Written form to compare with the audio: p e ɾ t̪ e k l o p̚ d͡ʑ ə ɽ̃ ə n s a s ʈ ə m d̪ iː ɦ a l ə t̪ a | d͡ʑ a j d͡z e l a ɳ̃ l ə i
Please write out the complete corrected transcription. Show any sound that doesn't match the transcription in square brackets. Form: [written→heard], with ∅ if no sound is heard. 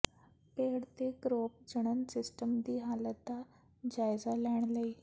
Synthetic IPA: p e [ɾ→ɽ] t̪ e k [l→ɾ] o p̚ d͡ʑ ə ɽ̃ ə n s [a→i] s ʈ ə m d̪ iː ɦ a l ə t̪ a | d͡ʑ a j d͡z [e→a] l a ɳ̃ l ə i